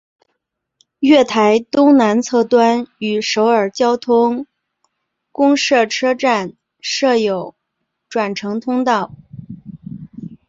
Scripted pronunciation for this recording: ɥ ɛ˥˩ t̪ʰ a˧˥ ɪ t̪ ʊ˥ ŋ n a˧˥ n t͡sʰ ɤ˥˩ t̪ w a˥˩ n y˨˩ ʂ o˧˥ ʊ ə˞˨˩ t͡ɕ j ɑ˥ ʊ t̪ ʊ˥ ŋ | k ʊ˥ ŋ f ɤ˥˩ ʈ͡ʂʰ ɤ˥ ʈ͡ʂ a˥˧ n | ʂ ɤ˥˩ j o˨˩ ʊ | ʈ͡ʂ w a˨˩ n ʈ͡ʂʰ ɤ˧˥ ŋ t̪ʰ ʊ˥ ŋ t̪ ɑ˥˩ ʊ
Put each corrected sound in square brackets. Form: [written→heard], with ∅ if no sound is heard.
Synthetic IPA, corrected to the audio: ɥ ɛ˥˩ t̪ʰ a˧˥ ɪ t̪ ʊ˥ ŋ n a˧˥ n t͡sʰ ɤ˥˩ t̪ w [a˥˩→a˥] n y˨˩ ʂ o˧˥ ʊ ə˞˨˩ t͡ɕ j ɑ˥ ʊ [t̪→t̪ʰ] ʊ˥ ŋ | k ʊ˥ ŋ [f→ʂ] ɤ˥˩ ʈ͡ʂʰ ɤ˥ ʈ͡ʂ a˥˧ n | ʂ ɤ˥˩ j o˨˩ ʊ | ʈ͡ʂ w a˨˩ n ʈ͡ʂʰ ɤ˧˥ ŋ t̪ʰ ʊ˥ ŋ t̪ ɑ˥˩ ʊ